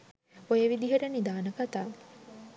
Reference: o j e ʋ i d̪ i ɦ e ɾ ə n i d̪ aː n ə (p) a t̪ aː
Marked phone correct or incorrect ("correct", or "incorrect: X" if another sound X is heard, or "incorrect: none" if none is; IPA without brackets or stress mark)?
incorrect: k